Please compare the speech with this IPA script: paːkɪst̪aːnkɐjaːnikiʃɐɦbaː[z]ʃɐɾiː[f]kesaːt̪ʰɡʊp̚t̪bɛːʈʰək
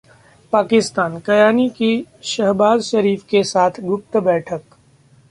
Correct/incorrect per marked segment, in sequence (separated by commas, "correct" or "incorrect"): correct, correct